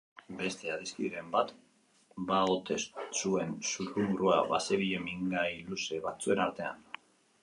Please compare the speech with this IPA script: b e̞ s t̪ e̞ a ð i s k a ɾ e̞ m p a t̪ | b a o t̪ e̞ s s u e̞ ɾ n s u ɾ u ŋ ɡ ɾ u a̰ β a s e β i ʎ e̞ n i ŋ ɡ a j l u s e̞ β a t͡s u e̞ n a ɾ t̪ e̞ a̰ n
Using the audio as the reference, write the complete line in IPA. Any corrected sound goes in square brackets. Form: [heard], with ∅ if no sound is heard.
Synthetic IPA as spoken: b e̞ s t̪ e̞ a ð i s k [i] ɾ e̞ m [b] a t̪ | b a o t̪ e̞ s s u e̞ [∅] n s u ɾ u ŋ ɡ ɾ u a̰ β a s e β i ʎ e̞ [m] i ŋ ɡ a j l u s e̞ β a t͡s u e̞ n a ɾ t̪ e̞ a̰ n